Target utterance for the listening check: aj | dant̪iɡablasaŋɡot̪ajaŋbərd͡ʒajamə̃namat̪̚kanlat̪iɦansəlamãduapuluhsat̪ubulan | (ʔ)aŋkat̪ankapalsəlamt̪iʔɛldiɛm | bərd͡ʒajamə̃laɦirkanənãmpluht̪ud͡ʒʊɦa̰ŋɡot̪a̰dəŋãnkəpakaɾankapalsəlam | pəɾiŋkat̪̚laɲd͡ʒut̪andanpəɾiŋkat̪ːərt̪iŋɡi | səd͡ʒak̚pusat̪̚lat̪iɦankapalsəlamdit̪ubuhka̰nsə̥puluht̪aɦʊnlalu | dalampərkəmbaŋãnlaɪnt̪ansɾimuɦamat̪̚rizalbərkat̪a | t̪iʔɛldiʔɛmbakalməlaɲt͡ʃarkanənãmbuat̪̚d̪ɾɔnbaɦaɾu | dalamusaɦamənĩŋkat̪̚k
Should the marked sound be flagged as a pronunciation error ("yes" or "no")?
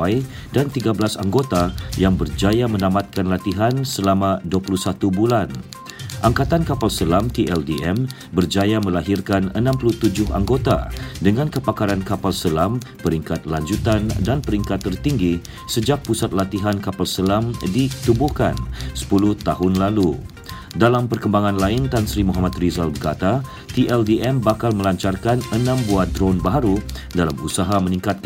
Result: no